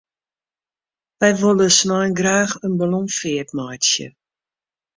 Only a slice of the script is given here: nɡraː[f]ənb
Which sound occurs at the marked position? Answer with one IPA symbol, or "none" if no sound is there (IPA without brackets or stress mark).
x